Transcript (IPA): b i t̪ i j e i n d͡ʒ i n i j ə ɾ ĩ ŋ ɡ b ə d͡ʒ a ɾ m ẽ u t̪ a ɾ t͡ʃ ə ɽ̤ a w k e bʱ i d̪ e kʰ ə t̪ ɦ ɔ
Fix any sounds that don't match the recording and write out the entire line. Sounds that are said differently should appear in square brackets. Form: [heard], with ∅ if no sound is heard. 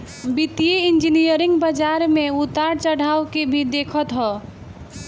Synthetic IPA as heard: b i t̪ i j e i n d͡ʒ i n i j ə ɾ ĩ ŋ ɡ b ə d͡ʒ a ɾ m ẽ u t̪ a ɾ t͡ʃ ə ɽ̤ a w k e bʱ i d̪ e kʰ ə t̪ ɦ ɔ